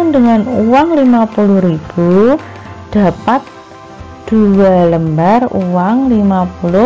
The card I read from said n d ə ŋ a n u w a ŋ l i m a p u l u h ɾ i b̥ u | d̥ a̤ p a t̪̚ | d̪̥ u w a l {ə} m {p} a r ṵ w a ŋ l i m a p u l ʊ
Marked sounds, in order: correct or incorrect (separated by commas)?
correct, incorrect